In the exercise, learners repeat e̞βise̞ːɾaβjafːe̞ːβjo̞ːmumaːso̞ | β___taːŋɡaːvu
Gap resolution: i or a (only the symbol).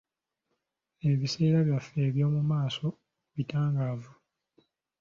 i